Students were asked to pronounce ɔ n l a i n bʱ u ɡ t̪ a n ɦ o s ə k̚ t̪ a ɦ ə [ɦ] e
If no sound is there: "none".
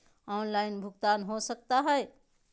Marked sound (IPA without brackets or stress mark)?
none